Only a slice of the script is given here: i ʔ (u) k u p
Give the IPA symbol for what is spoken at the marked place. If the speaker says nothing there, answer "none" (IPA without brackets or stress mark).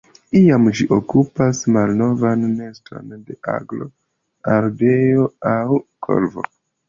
o